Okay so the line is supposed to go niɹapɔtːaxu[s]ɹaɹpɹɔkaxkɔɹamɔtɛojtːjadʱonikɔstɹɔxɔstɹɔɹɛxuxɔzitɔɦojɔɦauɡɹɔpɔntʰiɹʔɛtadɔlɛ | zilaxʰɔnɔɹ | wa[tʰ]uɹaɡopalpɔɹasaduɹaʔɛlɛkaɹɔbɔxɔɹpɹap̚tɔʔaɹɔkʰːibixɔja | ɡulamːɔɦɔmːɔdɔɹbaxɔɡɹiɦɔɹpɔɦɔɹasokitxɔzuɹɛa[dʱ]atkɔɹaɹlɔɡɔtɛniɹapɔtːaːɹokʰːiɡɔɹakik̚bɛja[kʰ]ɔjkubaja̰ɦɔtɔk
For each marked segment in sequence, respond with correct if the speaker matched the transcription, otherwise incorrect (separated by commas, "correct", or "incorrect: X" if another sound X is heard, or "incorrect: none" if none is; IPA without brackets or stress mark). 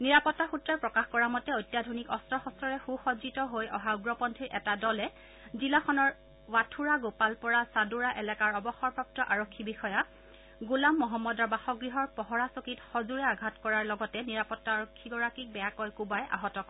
incorrect: t, correct, incorrect: ɡʱ, incorrect: k